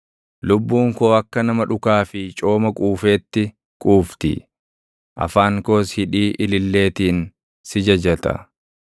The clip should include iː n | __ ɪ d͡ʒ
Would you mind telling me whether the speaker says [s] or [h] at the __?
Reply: s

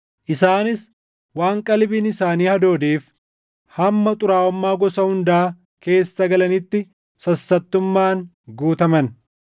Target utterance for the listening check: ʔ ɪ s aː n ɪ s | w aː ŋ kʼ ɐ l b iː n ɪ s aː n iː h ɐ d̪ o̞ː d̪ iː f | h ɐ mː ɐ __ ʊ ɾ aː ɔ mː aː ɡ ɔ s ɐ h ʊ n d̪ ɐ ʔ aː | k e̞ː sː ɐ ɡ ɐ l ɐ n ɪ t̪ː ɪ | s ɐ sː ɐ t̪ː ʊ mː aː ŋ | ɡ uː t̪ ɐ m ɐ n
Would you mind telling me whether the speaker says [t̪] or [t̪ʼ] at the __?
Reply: t̪ʼ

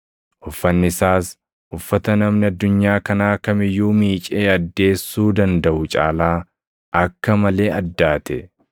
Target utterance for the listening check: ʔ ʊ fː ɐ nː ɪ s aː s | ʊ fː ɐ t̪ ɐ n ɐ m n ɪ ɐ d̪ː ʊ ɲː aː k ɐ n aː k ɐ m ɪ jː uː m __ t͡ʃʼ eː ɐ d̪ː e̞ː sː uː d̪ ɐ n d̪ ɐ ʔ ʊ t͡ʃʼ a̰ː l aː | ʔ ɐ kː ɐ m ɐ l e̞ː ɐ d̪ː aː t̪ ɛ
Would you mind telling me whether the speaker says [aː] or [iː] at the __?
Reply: iː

